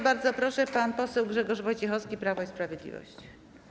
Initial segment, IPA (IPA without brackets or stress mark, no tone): b